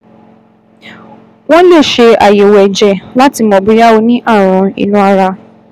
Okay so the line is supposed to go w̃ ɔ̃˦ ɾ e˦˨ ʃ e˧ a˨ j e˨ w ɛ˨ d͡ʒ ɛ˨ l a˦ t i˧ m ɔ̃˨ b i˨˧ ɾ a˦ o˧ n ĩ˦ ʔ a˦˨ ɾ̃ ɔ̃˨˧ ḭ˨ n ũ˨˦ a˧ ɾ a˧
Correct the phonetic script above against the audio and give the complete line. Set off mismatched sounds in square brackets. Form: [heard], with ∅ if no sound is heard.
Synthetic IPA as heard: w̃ ɔ̃˦ [l] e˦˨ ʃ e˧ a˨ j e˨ w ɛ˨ d͡ʒ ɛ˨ l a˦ t i˧ m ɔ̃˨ b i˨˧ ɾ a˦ o˧ n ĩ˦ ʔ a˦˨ ɾ̃ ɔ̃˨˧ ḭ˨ n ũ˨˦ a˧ ɾ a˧